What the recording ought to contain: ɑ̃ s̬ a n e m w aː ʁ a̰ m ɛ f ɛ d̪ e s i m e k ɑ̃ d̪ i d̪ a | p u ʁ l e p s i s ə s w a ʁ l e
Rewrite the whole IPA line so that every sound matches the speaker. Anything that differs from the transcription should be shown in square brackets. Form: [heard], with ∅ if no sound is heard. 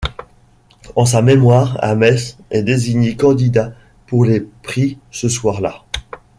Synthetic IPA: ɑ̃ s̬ a [m] e m w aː ʁ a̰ m ɛ [s] ɛ d̪ e [z] i [ɲ] e k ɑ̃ d̪ i d̪ a | p u ʁ l e p [χ] i s ə s w a ʁ l [a]